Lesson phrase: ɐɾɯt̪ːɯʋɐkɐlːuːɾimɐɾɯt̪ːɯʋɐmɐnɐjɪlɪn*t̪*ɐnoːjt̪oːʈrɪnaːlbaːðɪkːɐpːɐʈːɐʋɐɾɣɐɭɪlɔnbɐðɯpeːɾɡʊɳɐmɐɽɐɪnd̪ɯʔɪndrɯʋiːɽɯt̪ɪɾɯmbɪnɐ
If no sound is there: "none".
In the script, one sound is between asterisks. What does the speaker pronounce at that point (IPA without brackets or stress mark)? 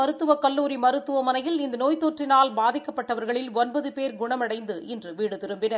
d̪